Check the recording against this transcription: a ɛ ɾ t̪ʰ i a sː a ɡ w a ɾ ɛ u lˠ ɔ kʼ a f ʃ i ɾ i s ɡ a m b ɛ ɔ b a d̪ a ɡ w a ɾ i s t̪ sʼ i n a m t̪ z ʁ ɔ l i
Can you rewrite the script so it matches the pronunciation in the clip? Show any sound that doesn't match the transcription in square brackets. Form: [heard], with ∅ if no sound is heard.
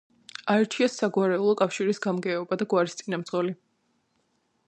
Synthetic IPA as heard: a ɛ ɾ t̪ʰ i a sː a ɡ w a ɾ ɛ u lˠ ɔ kʼ a f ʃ i ɾ i s ɡ a m [ɡ] ɛ ɔ b a d̪ a ɡ w a ɾ i s t̪ sʼ i n a m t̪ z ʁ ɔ l i

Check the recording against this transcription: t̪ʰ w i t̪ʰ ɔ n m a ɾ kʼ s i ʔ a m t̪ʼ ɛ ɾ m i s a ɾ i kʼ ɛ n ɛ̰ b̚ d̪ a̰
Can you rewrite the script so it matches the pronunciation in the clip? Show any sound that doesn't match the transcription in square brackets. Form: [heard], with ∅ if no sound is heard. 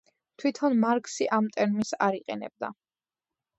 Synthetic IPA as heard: t̪ʰ w i t̪ʰ ɔ n m a ɾ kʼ s i ʔ a m t̪ʼ ɛ ɾ m i s a ɾ i [qʼ] ɛ n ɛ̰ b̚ d̪ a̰

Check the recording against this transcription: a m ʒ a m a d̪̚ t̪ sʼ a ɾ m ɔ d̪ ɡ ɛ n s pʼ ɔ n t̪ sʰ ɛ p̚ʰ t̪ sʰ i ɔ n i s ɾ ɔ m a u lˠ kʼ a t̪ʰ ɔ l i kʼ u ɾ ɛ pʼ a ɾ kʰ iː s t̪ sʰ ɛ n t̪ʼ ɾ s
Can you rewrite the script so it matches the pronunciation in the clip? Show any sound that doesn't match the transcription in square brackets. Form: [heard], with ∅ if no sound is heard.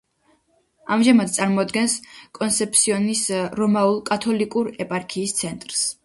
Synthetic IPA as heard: a m ʒ a m a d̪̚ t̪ sʼ a ɾ m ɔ d̪ ɡ ɛ n s [kʼ] ɔ n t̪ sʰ ɛ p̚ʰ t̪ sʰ i ɔ n i s ɾ ɔ m a u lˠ kʼ a t̪ʰ ɔ l i kʼ u ɾ ɛ pʼ a ɾ kʰ iː s t̪ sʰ ɛ n t̪ʼ ɾ s

